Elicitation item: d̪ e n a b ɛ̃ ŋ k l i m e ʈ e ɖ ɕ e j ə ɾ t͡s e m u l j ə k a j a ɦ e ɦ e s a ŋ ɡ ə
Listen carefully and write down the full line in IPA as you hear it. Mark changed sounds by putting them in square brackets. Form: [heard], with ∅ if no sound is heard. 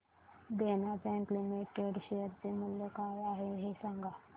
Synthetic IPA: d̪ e n a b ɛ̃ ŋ k l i m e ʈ e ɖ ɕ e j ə ɾ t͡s e m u l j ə k a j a ɦ e ɦ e s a ŋ ɡ [a]